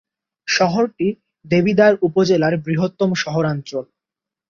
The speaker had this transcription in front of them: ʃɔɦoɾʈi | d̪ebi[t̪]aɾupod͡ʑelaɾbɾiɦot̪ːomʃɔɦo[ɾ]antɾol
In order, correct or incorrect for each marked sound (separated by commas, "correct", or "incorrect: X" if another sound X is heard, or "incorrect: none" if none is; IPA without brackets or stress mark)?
incorrect: d̪, correct